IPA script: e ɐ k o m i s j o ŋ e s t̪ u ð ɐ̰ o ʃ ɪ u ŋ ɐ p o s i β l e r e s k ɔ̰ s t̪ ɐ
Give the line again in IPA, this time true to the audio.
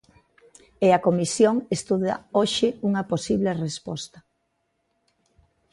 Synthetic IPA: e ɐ k o m i s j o ŋ e s t̪ u ð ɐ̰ o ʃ ɪ u ŋ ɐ p o s i β l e r e s p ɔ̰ s t̪ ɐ